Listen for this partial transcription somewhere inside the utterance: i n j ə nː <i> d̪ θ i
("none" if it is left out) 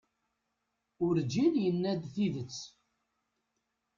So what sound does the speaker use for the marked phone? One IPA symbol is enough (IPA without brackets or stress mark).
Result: æ